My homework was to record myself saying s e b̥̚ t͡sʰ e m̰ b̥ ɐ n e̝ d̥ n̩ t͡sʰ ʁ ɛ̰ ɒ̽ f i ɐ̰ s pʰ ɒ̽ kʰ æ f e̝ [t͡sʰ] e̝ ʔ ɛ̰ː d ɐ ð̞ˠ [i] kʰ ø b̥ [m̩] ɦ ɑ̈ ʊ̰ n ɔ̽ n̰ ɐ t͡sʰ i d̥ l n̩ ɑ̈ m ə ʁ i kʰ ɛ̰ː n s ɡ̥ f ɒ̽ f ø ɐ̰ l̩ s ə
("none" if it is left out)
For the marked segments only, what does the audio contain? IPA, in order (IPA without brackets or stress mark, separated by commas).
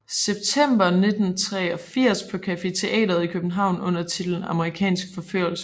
t͡sʰ, i, n̩